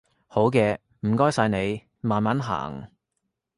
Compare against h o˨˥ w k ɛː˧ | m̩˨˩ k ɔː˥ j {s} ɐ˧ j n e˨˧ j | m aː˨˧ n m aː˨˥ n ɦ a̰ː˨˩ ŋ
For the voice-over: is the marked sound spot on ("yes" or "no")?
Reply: yes